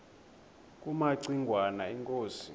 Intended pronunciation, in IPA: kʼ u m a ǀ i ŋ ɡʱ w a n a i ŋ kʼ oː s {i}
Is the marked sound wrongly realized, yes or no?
no